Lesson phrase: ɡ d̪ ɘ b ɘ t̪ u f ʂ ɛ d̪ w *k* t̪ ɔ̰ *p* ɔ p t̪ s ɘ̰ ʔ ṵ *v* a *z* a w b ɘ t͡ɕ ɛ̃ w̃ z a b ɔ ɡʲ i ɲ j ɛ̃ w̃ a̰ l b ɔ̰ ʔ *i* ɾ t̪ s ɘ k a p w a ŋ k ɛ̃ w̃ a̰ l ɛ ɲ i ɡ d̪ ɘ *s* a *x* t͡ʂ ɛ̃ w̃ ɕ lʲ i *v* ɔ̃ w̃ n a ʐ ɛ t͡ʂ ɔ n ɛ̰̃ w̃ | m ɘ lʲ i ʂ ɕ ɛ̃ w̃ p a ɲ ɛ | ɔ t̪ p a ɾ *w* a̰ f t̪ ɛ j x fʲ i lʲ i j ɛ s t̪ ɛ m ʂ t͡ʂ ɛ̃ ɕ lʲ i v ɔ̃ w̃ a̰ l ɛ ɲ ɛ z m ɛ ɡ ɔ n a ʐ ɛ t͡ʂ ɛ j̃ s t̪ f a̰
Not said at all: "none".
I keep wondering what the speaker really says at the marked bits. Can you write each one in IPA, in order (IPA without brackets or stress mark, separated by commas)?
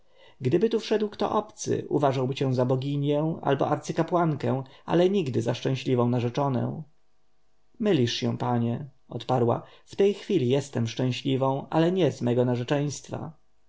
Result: k, ʔ, v, ʐ, a, z, ʂ, v, w